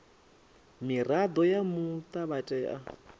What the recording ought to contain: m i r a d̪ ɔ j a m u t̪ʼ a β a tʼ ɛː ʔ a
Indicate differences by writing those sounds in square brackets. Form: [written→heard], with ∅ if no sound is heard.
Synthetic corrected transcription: m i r a d̪ ɔ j a m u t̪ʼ a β a tʼ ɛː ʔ a